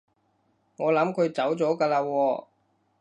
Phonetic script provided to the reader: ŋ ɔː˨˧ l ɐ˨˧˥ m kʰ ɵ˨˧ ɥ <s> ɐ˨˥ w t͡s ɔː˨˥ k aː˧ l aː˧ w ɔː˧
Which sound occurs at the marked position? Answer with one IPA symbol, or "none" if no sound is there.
t͡s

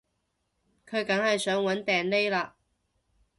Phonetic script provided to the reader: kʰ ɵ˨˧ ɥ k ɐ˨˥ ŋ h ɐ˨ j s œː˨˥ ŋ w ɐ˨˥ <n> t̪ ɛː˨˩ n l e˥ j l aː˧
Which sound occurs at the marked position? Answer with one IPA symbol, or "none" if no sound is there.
n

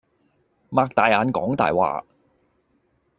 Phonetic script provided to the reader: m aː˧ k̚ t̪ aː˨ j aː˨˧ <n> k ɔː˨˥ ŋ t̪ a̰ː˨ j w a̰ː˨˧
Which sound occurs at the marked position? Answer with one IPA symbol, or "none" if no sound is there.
n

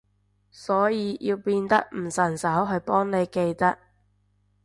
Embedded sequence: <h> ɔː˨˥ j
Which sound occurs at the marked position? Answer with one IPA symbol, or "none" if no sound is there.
s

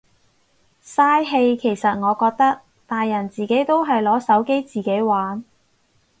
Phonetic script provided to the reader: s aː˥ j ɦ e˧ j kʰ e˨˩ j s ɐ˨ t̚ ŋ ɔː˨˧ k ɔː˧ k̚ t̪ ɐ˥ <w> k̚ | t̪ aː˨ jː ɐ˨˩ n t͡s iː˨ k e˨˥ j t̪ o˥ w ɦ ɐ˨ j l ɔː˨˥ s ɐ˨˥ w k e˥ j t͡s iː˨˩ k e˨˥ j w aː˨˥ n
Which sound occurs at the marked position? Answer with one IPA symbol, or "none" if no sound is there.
none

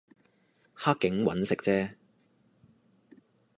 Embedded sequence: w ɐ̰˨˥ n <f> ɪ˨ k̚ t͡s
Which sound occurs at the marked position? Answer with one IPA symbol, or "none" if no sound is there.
s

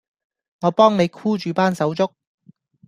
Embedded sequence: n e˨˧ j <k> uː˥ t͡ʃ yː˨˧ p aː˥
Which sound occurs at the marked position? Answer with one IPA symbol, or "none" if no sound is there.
kʰ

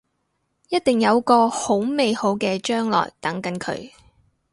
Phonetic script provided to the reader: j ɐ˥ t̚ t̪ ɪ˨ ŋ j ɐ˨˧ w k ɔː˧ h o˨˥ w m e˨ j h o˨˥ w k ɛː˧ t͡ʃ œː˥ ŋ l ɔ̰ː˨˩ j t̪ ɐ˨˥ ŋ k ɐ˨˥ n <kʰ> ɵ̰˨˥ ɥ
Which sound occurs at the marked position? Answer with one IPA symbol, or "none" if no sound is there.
kʰ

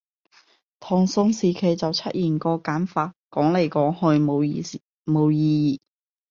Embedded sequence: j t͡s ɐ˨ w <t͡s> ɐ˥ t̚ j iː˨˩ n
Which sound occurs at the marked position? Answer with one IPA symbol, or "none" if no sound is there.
t͡sʰ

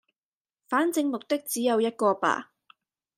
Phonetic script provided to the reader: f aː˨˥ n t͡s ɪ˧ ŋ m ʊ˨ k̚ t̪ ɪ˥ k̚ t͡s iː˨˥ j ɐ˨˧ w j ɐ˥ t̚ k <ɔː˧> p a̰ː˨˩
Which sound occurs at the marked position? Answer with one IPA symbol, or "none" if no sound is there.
ɔː˧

